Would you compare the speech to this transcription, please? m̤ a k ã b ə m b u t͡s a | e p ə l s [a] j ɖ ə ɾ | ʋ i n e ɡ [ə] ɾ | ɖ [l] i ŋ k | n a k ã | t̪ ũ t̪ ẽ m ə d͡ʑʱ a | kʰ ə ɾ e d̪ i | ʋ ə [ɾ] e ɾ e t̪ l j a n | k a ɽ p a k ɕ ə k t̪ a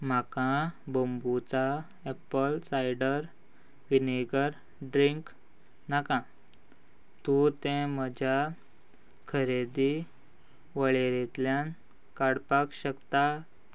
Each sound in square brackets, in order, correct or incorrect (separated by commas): correct, correct, incorrect, incorrect